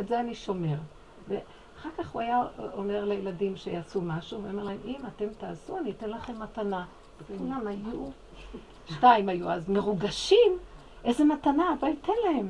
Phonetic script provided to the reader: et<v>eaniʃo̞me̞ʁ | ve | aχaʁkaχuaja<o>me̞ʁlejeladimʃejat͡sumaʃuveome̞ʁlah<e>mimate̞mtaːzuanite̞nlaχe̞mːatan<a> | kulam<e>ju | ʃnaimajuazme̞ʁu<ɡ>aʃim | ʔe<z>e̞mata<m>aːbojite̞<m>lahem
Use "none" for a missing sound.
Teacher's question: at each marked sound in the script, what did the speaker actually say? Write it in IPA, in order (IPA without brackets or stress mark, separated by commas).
z, o, e, a, a, ɡ, z, n, n